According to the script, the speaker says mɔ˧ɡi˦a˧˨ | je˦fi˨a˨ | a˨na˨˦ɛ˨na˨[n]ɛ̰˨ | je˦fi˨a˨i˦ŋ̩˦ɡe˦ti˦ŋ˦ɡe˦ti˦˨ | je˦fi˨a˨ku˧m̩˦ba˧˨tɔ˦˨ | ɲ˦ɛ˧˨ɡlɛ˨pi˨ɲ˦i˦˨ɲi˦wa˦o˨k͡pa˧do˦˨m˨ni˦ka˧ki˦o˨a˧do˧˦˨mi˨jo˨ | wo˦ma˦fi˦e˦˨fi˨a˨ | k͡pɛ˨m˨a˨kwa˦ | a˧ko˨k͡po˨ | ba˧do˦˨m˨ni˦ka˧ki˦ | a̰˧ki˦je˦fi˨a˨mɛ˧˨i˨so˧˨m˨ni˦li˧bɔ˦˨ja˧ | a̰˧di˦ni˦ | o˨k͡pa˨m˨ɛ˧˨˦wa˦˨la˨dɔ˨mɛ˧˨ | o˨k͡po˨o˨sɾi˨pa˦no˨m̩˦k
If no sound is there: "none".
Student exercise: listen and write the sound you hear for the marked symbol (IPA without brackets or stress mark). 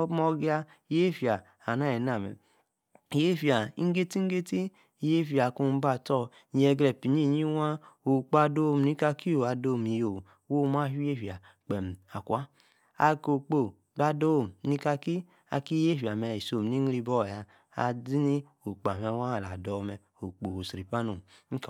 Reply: m